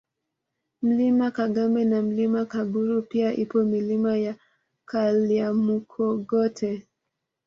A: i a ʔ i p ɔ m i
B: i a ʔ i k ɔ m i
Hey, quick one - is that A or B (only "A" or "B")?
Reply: A